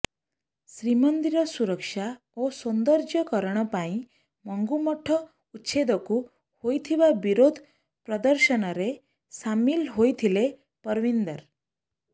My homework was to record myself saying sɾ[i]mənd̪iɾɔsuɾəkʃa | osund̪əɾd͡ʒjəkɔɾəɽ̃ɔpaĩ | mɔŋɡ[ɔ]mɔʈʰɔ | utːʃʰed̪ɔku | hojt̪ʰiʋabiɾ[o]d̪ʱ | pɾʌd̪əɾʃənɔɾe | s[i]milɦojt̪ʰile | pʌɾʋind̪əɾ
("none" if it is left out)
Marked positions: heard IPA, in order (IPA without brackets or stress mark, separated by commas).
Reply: i, u, o, a